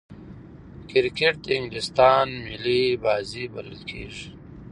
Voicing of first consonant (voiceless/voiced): voiceless